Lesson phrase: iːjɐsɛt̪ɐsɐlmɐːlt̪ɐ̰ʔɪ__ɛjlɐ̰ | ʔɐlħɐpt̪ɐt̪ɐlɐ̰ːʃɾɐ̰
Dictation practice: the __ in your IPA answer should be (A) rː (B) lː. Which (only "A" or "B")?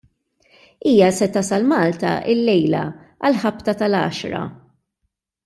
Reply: B